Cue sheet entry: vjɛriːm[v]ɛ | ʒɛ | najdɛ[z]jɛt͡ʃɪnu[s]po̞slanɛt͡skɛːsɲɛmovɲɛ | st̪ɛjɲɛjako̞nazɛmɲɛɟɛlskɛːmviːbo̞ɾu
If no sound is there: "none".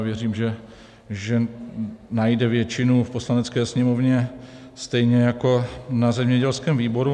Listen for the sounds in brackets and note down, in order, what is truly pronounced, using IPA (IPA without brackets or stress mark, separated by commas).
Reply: ʒ, v, f